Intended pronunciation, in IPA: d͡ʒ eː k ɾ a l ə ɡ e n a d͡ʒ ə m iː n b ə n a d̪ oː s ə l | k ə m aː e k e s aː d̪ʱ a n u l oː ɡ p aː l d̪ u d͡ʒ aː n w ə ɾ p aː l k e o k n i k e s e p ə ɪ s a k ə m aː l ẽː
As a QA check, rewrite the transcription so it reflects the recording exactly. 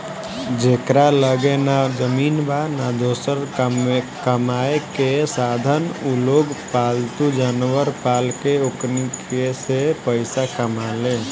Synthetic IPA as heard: d͡ʒ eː k ɾ a l ə ɡ e n a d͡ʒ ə m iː n b a n a d̪ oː s ə ɾ | k ə m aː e k e s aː d̪ʱ ə n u l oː ɡ p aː l t̪ u d͡ʒ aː n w ə ɾ p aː l k e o k n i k e s e p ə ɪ s a k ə m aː l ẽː